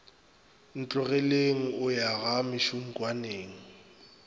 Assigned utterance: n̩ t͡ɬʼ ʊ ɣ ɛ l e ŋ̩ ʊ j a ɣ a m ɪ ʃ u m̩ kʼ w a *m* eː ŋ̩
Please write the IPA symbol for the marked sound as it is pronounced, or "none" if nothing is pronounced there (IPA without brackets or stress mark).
n